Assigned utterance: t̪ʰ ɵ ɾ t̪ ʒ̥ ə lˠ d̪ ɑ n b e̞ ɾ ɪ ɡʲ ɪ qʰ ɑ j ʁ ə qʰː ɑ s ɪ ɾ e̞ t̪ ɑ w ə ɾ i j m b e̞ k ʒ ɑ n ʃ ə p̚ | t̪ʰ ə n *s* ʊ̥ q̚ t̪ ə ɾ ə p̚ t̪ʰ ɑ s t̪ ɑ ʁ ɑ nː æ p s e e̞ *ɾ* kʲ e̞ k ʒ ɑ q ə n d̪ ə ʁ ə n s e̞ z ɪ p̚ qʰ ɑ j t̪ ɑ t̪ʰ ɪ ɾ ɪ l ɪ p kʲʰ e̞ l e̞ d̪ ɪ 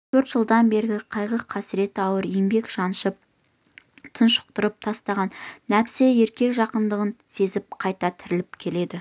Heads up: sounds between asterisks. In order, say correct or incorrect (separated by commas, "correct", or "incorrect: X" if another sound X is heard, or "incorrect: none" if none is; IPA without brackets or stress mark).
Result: incorrect: ʃ, correct